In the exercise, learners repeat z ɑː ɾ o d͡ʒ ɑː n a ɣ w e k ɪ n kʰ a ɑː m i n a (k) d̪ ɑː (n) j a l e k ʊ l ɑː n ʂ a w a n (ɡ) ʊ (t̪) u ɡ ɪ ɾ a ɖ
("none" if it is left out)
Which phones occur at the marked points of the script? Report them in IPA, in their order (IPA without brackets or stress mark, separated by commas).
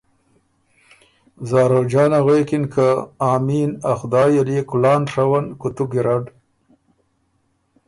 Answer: x, none, k, t̪